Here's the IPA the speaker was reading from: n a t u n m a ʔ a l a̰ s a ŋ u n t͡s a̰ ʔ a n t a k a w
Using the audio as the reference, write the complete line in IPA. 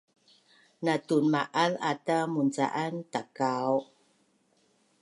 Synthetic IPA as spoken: n a t u n m a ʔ a l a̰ t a m u n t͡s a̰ ʔ a n t a k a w